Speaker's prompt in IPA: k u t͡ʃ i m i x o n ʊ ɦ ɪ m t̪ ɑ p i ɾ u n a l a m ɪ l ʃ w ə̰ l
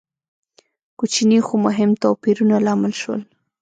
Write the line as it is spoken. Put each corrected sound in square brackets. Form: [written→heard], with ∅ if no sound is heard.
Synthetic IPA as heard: k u t͡ʃ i [m→n] i x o [n→m] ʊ ɦ ɪ m t̪ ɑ p i ɾ u n a l [a→ɑ] m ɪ l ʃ w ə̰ l